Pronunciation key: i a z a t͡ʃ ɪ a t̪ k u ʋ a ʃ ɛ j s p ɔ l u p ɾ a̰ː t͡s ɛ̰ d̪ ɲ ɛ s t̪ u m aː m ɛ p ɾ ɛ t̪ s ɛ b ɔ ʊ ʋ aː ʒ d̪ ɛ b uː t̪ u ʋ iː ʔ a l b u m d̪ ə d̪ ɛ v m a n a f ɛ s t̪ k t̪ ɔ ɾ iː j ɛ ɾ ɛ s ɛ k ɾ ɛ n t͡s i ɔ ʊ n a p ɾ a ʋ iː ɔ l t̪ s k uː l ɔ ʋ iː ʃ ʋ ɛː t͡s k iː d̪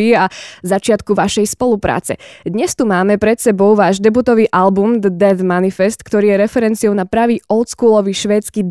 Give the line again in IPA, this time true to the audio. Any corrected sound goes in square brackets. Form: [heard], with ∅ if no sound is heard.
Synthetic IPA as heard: i a z a t͡ʃ ɪ a t̪ k u ʋ a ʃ ɛ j s p ɔ l u p ɾ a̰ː t͡s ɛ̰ d̪ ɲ ɛ s t̪ u m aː m ɛ p ɾ ɛ t̪ s ɛ b ɔ ʊ ʋ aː ʒ d̪ ɛ b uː t̪ [ɔ] ʋ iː ʔ a l b u m d̪ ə d̪ ɛ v m a n [i] f ɛ s t̪ k t̪ ɔ ɾ iː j ɛ ɾ ɛ [f] ɛ [∅] ɾ ɛ n t͡s i ɔ ʊ n a p ɾ a ʋ iː ɔ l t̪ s k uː l ɔ ʋ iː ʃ ʋ ɛː t͡s k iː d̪